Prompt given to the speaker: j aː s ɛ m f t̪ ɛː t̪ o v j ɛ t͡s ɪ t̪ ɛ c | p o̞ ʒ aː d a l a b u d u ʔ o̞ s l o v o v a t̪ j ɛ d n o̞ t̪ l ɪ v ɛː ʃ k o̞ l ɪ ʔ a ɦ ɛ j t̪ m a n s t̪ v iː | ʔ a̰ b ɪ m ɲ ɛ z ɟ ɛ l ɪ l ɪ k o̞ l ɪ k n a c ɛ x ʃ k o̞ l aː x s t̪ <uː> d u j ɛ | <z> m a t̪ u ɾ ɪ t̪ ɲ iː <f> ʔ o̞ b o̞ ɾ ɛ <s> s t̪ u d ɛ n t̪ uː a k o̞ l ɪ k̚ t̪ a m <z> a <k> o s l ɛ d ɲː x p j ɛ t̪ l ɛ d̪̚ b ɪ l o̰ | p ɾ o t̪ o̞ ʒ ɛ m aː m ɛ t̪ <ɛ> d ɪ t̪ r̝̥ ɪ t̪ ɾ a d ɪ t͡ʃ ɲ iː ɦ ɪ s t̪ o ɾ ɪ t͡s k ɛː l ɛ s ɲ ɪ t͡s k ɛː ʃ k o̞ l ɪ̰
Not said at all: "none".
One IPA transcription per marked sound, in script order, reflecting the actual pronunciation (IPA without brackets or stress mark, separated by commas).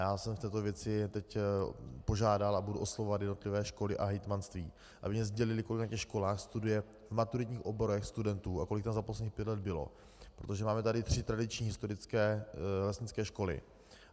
u, v, x, x, z, p, a